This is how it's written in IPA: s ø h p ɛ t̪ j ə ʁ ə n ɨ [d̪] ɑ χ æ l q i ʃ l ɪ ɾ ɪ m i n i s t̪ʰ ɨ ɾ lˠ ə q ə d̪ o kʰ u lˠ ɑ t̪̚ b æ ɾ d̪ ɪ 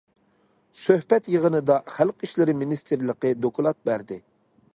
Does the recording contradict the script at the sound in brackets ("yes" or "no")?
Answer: no